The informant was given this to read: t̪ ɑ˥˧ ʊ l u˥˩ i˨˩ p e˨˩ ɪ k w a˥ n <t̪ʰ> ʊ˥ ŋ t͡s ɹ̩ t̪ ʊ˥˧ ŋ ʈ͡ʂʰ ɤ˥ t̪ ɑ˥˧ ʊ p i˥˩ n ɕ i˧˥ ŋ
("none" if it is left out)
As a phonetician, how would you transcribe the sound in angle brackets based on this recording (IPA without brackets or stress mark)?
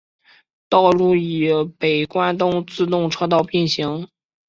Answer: t̪